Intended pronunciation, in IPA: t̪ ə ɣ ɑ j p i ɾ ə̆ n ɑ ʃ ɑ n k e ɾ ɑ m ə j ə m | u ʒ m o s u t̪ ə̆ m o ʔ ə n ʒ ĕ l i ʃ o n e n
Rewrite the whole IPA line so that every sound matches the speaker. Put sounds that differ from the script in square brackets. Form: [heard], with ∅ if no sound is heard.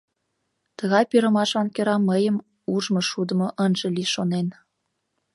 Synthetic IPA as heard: t̪ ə ɣ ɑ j p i ɾ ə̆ [m] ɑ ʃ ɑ n k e ɾ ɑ m ə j ə m | u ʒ m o [ʃ] u [d̪] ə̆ m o ʔ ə n ʒ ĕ l i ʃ o n e n